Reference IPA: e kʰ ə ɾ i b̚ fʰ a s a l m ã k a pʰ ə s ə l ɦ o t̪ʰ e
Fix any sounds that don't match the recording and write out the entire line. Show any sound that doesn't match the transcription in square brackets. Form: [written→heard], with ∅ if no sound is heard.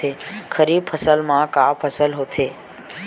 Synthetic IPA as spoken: e kʰ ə ɾ i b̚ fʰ [a→ə] s [a→ə] l m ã k a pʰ ə s ə l ɦ o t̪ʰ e